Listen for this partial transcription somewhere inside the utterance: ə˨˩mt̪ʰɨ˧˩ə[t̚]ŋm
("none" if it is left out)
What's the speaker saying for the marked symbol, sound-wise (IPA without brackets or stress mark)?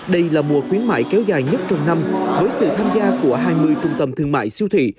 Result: none